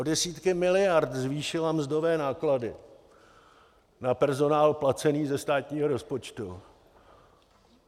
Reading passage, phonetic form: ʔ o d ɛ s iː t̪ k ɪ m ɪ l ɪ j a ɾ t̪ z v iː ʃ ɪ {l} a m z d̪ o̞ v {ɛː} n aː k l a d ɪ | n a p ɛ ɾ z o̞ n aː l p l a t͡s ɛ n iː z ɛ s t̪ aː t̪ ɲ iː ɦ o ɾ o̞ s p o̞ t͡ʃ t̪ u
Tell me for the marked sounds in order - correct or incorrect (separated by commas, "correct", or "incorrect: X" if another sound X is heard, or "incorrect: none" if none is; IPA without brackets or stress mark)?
correct, correct